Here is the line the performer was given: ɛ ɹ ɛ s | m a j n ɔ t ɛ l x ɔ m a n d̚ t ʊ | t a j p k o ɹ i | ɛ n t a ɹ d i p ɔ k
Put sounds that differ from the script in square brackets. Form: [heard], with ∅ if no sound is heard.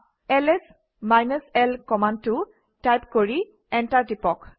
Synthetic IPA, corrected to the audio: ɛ [l] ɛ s | m a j n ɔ [s] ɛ l [k] ɔ m a n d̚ t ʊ | t a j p k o ɹ i | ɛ n t a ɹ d i p ɔ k